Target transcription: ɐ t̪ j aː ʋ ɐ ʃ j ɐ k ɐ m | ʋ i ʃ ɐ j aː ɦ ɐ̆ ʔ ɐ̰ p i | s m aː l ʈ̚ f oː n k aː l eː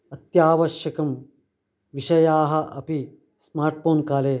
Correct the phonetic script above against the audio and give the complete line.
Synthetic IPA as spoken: ɐ t̪ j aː ʋ ɐ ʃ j ɐ k ɐ m | ʋ i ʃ ɐ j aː ɦ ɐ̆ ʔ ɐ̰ p i | s m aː ɾ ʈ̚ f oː n k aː l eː